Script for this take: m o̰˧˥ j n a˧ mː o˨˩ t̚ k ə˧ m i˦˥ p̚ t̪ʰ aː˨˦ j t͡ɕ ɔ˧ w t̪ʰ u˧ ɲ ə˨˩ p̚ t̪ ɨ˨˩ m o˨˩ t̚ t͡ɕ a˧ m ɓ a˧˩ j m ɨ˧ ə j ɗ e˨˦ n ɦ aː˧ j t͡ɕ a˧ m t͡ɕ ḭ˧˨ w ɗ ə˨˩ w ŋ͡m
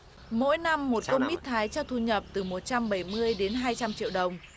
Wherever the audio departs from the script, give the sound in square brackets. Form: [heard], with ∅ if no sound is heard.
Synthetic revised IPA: m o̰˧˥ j n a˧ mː o˨˩ t̚ k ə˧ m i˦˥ [t̚] t̪ʰ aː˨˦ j t͡ɕ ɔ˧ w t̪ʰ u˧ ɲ ə˨˩ p̚ t̪ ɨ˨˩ m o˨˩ t̚ t͡ɕ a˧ m ɓ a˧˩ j m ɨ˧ ə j ɗ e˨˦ n ɦ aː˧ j t͡ɕ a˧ m t͡ɕ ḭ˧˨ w ɗ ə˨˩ w ŋ͡m